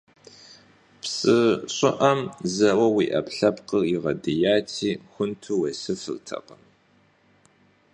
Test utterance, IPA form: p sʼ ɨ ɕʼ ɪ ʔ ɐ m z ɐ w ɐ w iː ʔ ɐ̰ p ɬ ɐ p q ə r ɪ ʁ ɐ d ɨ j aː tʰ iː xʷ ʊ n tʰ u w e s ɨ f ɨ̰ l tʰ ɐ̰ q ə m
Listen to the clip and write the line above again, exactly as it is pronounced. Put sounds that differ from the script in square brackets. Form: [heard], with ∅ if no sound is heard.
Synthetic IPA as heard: p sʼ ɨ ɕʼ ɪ ʔ ɐ m z ɐ w ɐ w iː ʔ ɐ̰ p ɬ ɐ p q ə r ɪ ʁ ɐ d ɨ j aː tʰ iː xʷ ʊ n tʰ u w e s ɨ f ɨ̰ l tʰ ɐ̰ q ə m